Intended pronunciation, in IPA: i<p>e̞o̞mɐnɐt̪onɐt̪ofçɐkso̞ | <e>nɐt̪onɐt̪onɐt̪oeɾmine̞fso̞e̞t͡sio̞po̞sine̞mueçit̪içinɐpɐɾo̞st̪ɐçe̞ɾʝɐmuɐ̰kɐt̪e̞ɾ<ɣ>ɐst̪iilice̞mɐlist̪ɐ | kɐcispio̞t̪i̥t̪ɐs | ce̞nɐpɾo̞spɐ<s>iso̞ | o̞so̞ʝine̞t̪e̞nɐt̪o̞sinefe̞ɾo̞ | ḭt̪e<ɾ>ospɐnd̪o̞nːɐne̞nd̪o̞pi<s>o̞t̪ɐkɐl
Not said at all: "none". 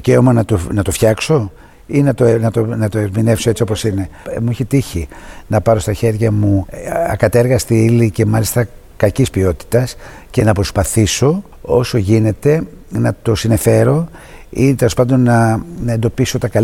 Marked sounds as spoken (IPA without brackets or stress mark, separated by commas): c, i, ɣ, θ, l, s